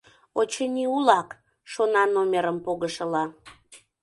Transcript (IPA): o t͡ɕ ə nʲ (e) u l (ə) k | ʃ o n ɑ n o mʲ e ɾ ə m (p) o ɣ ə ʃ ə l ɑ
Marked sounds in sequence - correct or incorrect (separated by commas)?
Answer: incorrect, incorrect, correct